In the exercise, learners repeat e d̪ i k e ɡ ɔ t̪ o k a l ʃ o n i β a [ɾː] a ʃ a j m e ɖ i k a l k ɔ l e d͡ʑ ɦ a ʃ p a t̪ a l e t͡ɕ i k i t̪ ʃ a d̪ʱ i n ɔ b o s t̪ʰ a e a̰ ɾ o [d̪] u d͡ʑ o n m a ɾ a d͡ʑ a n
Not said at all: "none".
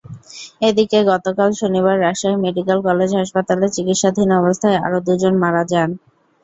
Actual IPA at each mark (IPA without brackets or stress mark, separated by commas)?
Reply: ɾː, d̪